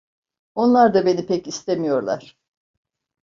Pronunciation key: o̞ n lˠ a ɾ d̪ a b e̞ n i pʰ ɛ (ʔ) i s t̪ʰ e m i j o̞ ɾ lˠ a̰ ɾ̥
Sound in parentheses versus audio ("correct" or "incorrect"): incorrect